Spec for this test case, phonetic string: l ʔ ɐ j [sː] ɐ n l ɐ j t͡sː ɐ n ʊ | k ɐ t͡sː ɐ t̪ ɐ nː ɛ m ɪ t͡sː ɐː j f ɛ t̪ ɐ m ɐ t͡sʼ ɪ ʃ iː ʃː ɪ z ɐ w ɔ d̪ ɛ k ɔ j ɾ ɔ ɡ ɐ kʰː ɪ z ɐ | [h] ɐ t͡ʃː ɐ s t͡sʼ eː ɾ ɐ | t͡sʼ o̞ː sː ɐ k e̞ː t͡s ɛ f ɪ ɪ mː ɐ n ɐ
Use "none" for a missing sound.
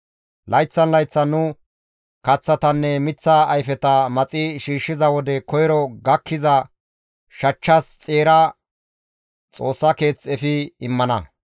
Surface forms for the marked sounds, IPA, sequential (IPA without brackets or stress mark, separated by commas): t͡sː, ʃ